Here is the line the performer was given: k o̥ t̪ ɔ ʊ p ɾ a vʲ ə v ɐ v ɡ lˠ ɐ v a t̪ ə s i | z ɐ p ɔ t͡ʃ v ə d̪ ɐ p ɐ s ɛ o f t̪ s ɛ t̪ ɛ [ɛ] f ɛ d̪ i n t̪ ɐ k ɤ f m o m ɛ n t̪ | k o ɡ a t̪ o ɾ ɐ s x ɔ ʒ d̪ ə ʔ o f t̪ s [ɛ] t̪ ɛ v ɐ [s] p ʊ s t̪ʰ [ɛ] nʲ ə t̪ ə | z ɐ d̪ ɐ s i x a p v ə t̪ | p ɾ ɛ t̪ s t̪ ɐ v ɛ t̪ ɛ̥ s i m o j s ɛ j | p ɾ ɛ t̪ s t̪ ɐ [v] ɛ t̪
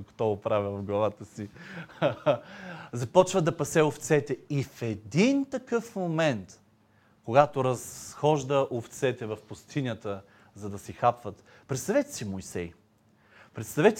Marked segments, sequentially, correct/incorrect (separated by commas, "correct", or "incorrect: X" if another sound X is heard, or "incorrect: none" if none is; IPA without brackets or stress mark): incorrect: i, correct, incorrect: f, incorrect: i, correct